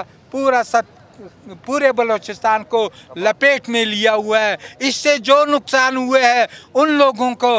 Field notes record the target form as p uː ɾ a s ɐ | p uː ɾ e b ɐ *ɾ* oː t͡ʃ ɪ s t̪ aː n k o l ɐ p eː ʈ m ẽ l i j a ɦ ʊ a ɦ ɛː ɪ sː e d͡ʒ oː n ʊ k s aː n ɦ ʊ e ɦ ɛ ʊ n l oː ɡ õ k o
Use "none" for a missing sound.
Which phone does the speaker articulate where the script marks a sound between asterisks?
l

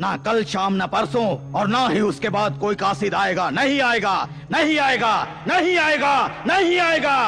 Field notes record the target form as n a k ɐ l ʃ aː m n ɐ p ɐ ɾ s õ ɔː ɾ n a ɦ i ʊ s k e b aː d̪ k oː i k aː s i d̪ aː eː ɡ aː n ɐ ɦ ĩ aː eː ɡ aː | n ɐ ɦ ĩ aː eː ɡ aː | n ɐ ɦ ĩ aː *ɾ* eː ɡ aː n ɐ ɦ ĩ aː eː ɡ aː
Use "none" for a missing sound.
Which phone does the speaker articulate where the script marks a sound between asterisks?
none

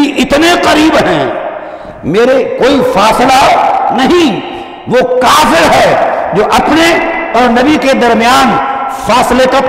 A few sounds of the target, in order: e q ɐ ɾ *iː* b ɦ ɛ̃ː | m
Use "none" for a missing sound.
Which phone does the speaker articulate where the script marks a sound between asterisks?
iː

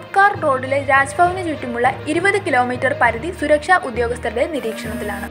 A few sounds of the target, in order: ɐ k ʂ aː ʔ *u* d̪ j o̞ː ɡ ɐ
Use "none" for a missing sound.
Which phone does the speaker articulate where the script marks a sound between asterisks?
u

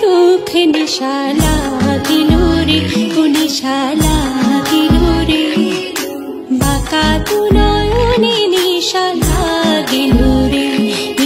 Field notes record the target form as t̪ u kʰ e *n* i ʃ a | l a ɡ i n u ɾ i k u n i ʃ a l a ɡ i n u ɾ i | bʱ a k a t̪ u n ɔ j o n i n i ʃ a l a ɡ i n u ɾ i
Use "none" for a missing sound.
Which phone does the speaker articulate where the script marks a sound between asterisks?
n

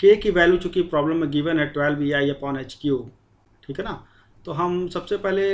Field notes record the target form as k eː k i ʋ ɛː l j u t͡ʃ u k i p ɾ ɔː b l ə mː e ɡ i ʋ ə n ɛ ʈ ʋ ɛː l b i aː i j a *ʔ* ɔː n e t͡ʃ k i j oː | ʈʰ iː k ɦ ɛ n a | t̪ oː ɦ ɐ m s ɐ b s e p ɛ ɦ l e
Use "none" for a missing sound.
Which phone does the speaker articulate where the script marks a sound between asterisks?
p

